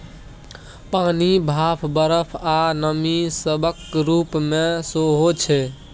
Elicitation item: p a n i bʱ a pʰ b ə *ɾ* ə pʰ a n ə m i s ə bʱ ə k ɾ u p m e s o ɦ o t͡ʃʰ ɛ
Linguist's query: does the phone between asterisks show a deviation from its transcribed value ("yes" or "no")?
no